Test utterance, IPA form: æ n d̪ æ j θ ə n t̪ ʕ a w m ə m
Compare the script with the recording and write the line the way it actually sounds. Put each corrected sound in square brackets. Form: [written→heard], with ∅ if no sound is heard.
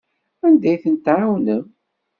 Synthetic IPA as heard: æ n d̪ æ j θ ə n t̪ ʕ a w [m→n] ə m